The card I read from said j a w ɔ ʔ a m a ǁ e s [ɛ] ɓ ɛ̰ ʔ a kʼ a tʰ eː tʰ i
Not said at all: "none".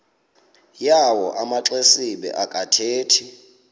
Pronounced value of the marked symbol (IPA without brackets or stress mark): i